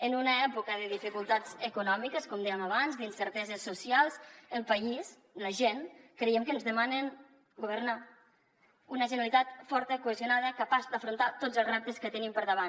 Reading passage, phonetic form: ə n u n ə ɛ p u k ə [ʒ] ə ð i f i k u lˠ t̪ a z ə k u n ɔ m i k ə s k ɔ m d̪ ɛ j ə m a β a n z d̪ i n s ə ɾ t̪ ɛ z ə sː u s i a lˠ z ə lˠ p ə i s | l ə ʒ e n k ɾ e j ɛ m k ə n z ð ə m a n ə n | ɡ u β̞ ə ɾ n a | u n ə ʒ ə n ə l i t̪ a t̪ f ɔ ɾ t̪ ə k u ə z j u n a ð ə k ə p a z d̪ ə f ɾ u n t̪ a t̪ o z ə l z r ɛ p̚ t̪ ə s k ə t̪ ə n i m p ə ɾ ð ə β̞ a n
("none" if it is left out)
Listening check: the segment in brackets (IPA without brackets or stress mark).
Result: ð